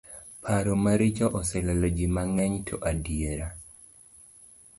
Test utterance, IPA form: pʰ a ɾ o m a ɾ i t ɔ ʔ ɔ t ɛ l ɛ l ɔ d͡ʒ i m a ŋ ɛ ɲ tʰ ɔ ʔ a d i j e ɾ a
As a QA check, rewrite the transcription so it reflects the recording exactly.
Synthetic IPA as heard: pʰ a ɾ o m a ɾ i t͡ʃ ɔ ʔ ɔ s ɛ l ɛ l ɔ d͡ʒ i m a ŋ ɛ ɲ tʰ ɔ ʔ a d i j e ɾ a